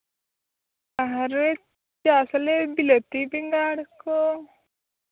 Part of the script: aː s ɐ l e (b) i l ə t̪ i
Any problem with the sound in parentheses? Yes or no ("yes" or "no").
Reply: no